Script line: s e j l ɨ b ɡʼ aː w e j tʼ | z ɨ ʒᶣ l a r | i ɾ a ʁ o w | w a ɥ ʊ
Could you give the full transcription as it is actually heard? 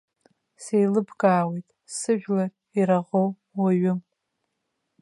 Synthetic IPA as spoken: s e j l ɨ b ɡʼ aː w e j tʼ | s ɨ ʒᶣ l a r | i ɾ a ʁ o w | w a ɥ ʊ